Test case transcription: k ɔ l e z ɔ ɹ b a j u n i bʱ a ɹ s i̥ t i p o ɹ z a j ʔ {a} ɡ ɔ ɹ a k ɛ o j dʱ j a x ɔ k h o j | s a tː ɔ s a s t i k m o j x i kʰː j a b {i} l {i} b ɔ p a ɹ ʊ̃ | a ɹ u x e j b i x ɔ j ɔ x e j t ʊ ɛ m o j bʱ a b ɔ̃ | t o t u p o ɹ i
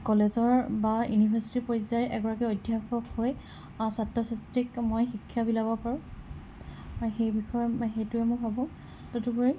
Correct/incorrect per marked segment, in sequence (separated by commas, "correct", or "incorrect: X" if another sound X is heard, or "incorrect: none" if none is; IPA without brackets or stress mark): incorrect: ɛ, correct, incorrect: a